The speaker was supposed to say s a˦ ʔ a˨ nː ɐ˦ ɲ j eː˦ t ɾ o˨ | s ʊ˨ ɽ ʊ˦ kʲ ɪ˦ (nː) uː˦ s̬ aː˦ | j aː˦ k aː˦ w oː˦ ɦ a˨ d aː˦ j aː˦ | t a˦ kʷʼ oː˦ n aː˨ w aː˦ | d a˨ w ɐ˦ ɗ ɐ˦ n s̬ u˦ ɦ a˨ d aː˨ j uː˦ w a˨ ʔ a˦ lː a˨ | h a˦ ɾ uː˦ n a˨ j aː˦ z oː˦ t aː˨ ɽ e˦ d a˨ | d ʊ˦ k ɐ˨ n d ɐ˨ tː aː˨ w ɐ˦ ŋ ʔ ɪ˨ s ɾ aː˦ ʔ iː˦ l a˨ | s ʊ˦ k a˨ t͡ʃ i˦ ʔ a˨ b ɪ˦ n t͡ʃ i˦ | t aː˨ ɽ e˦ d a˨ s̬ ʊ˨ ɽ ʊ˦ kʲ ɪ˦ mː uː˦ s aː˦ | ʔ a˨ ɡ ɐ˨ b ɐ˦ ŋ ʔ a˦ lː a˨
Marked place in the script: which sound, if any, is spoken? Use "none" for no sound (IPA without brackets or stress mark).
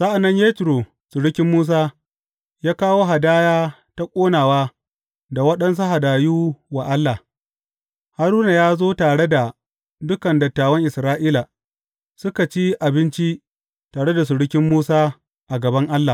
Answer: mː